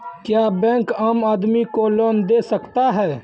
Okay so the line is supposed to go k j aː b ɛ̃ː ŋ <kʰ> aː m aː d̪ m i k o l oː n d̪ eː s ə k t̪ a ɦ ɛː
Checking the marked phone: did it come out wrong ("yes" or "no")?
yes